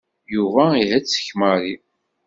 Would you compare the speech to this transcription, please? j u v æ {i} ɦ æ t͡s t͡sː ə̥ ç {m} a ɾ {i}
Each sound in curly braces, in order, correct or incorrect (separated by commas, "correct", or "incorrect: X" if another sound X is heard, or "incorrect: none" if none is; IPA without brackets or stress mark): correct, correct, correct